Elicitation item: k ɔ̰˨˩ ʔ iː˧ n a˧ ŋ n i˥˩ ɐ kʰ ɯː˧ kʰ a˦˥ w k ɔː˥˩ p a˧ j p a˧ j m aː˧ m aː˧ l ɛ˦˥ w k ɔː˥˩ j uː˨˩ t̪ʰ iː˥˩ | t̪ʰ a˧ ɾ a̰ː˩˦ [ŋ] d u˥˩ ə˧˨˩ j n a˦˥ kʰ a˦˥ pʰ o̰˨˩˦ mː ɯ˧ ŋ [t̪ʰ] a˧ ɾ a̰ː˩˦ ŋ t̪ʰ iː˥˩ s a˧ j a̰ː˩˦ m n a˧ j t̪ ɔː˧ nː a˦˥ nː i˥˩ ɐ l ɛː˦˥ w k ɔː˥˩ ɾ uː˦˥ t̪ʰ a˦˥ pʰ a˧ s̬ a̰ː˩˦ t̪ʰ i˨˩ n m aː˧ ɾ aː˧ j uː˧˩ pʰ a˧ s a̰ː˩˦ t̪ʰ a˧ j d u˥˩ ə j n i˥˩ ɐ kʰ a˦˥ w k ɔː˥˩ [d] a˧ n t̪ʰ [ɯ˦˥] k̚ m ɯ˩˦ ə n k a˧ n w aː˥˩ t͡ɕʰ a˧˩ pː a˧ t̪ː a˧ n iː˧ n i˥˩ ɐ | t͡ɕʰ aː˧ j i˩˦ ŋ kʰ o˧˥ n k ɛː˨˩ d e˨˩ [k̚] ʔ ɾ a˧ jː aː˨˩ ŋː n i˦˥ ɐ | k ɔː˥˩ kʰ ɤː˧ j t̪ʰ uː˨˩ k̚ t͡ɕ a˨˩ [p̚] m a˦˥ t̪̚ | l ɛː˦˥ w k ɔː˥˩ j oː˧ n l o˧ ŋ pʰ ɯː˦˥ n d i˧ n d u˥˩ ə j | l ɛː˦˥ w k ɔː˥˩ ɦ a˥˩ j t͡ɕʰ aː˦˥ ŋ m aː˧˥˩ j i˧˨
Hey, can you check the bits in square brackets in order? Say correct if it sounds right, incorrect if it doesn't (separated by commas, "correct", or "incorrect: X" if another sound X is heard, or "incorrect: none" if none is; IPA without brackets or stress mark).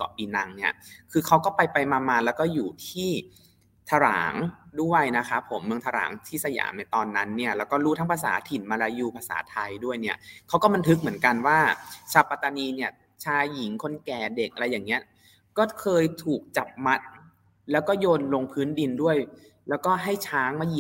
correct, correct, incorrect: b, correct, correct, correct